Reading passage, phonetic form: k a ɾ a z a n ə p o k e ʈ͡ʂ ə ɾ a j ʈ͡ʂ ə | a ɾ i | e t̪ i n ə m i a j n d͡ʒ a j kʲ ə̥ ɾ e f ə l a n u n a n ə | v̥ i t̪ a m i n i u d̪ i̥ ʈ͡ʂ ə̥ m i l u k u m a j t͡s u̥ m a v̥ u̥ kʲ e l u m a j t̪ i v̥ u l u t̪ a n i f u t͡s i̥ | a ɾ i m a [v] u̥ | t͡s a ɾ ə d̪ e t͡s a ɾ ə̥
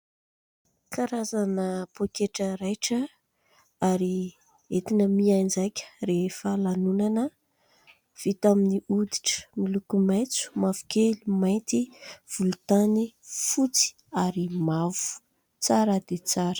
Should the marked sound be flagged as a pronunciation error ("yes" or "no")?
no